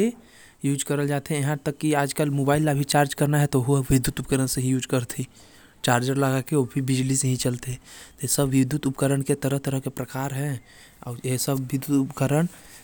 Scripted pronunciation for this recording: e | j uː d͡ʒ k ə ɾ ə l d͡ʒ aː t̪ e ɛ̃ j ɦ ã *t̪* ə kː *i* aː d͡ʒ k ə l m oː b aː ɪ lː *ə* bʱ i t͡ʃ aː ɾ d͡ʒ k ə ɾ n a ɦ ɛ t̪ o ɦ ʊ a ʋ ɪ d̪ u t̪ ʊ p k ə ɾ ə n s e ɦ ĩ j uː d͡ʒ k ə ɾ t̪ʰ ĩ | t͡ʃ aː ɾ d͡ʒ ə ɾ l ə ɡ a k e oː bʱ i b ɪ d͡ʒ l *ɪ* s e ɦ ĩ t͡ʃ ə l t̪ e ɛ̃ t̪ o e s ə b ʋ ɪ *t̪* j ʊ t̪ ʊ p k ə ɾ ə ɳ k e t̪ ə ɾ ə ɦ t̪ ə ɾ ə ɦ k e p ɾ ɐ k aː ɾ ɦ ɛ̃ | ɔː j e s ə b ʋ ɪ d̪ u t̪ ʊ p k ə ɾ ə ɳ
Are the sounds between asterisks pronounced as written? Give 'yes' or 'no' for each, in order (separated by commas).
yes, yes, no, no, no